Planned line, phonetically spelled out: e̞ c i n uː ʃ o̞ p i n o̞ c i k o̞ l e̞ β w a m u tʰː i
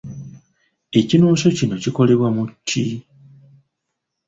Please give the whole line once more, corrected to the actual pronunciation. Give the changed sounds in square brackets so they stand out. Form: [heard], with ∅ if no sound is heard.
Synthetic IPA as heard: e̞ c i n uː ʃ o̞ [c] i n o̞ c i k o̞ l e̞ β w a m u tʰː i